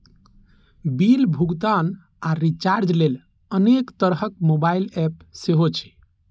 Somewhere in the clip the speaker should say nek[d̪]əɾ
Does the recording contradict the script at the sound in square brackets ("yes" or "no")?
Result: yes